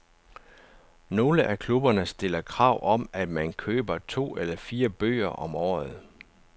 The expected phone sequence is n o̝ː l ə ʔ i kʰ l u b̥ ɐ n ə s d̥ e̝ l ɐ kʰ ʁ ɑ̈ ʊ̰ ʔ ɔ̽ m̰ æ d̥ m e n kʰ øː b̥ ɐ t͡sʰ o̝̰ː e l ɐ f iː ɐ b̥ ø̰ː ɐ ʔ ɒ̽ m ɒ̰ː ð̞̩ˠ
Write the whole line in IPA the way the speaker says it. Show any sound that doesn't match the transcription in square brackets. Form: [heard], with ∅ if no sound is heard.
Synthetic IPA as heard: n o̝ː l ə ʔ [æ] kʰ l u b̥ ɐ n ə s d̥ e̝ l ɐ kʰ ʁ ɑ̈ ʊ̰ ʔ [ɒ̽] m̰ æ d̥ m [æ] n kʰ øː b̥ ɐ t͡sʰ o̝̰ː e l ɐ f iː ɐ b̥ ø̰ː ɐ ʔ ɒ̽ m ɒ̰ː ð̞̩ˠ